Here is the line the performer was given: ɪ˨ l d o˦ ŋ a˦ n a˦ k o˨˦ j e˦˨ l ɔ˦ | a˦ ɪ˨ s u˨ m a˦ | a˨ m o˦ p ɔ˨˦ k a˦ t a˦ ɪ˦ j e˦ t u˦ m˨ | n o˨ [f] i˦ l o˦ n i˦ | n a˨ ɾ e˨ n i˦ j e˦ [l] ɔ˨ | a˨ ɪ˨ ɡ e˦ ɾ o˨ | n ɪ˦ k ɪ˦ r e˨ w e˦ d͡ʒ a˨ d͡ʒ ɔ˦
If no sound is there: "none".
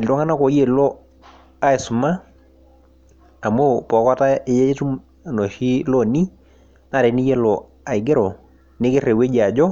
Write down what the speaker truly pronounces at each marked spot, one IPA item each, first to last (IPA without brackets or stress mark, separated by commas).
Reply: ʃ, l